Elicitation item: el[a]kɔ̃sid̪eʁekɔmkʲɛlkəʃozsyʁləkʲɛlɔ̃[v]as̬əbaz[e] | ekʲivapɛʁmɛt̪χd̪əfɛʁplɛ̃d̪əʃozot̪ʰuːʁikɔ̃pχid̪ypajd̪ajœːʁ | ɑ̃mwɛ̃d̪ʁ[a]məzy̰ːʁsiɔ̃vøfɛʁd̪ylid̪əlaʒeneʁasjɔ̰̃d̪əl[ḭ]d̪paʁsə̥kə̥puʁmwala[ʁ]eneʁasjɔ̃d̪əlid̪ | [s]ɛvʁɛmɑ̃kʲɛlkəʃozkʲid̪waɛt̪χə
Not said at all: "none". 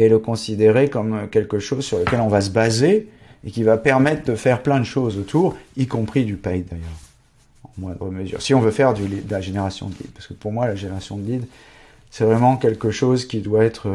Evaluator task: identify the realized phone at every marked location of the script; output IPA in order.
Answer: ə, v, e, ə, ḭ, ʒ, s

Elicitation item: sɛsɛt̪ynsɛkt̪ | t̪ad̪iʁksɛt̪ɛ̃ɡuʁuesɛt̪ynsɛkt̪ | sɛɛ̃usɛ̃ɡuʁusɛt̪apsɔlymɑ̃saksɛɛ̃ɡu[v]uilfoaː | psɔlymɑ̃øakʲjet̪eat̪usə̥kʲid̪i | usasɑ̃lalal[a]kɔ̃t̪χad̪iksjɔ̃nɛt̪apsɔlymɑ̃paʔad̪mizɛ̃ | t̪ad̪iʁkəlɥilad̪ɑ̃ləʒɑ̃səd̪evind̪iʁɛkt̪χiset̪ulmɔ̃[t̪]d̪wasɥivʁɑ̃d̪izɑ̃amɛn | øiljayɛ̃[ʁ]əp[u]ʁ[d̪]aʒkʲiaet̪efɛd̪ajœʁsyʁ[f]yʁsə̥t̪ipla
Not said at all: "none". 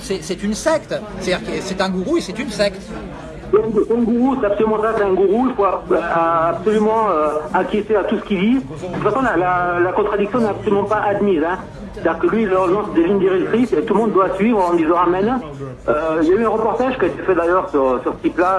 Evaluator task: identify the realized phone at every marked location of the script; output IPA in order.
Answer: ʁ, a, d̪, ʁ, ɔ, t̪, s

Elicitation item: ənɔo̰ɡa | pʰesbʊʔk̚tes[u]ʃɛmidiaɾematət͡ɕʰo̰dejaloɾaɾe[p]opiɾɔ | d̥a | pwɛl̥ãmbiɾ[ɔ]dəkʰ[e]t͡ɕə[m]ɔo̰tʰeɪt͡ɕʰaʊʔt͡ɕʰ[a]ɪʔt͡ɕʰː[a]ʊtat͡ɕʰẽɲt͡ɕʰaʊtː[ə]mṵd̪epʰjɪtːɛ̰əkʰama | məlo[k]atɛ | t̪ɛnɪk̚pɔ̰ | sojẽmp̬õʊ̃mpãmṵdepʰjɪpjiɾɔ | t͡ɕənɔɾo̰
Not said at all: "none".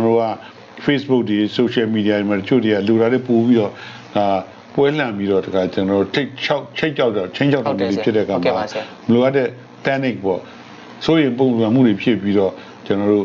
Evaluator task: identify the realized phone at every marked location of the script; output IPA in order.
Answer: o, p, ɔ, a, n, e, a, a, ʔ

